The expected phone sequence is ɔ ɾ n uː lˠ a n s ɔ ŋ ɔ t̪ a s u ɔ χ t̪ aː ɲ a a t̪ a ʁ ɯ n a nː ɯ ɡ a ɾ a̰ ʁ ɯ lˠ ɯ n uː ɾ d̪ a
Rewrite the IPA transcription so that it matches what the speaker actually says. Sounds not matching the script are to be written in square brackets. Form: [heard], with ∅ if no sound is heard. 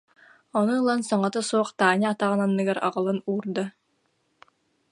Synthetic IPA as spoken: ɔ [∅] n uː lˠ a n s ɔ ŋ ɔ t̪ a s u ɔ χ t̪ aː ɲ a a t̪ a ʁ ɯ n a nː ɯ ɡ a ɾ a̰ ʁ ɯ lˠ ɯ n uː ɾ d̪ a